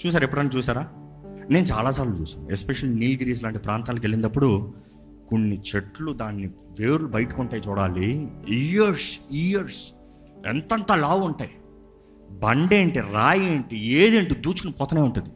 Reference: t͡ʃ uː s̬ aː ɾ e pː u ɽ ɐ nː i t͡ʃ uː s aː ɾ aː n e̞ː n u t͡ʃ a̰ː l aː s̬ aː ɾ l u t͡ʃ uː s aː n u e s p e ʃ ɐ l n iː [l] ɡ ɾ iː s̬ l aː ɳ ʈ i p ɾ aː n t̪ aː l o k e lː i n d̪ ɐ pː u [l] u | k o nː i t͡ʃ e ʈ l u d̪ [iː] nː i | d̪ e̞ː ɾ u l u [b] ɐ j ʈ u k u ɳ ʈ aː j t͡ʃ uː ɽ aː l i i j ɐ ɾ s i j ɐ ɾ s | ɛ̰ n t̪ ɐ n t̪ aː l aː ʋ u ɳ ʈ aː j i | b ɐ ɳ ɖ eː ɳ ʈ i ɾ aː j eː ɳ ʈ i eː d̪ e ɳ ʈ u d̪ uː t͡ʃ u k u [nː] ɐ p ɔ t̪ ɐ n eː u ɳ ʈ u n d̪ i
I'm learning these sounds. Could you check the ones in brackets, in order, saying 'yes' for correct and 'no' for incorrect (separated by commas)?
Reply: yes, no, no, yes, no